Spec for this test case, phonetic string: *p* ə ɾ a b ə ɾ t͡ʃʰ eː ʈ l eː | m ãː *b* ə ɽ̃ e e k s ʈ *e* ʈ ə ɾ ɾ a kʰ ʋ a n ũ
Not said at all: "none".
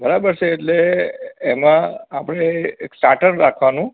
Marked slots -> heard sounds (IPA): b, p, a

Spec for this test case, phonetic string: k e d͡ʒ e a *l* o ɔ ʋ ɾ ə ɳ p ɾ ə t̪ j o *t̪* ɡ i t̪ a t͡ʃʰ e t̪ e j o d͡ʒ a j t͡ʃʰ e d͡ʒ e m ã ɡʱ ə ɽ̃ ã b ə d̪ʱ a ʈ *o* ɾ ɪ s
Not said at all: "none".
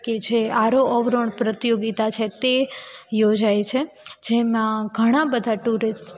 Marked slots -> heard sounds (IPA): ɾ, none, u

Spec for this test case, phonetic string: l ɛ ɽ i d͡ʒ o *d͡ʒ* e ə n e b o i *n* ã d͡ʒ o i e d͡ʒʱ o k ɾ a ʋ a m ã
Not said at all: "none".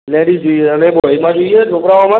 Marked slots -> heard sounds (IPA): none, m

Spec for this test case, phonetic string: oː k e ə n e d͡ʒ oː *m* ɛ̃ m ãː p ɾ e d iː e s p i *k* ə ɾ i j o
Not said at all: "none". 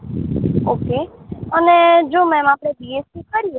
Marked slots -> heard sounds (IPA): m, k

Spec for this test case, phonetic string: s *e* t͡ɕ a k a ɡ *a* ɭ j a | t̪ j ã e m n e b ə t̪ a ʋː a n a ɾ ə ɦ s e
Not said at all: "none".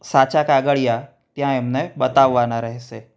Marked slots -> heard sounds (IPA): a, ə

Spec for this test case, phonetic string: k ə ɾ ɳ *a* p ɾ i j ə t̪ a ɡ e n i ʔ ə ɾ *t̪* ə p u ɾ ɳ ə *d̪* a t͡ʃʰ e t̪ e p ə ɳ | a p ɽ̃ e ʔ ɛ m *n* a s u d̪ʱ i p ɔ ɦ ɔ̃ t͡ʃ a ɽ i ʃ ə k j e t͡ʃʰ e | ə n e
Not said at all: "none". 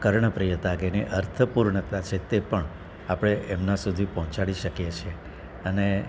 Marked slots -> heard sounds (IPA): ə, t̪ʰ, t̪, n

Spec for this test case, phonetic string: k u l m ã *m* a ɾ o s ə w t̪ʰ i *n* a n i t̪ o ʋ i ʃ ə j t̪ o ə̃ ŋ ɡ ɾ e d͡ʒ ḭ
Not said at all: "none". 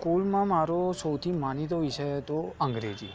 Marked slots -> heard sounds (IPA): m, m

